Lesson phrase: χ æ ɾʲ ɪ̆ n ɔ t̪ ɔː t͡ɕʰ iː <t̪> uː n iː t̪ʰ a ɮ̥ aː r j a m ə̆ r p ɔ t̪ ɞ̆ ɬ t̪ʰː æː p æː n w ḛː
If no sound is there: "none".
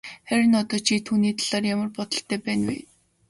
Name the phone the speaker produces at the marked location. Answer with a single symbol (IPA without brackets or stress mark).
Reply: t̪ʰ